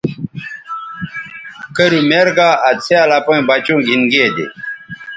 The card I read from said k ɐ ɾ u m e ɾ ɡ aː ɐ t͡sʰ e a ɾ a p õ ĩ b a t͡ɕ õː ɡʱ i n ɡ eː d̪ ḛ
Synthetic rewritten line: k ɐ ɾ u m e ɾ ɡ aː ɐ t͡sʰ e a l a p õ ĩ b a t͡ɕ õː ɡʱ i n ɡ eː d̪ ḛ